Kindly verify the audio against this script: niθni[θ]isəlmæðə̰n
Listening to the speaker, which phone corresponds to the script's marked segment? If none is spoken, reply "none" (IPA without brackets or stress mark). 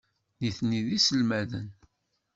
ð